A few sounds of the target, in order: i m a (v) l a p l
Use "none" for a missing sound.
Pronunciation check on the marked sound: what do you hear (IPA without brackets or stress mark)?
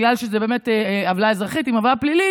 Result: v